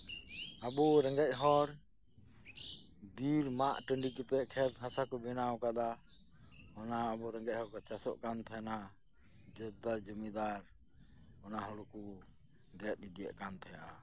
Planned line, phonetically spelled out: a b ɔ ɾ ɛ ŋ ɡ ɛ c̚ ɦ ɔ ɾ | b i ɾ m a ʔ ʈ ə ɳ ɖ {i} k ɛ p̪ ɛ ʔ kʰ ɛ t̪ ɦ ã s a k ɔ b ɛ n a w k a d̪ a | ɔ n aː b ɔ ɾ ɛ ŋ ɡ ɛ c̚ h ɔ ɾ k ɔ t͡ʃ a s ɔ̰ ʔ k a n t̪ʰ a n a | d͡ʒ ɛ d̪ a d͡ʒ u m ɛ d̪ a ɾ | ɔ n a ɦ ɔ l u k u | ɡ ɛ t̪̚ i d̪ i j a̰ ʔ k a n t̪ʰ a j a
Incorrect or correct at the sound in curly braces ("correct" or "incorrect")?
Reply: correct